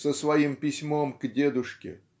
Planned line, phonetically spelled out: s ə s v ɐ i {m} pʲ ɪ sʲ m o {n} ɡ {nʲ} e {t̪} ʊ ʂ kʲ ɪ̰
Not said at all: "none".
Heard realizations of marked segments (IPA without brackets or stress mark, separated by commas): m, m, dʲ, d̪